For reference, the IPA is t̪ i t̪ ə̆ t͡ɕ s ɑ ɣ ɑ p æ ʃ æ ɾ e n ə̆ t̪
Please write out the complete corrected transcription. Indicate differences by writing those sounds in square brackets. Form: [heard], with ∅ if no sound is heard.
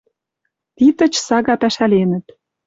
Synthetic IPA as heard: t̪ i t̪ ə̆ t͡ɕ s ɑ ɣ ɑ p æ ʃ æ [l] e n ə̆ t̪